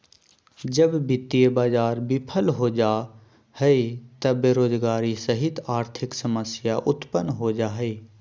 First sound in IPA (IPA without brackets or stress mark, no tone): d͡ʒ